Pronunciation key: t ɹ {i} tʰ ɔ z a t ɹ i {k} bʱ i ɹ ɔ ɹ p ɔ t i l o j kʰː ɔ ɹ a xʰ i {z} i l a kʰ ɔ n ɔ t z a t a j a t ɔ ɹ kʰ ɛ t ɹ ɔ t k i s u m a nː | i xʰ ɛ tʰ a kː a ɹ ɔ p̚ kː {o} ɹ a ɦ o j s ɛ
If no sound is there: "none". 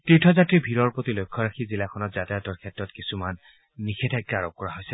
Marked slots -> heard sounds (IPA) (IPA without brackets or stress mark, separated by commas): i, none, z, ɔ